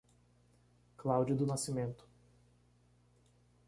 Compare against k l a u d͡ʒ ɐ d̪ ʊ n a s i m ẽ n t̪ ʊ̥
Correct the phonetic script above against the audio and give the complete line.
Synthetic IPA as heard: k l a w d͡ʒ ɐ d̪ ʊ n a s i m ẽ n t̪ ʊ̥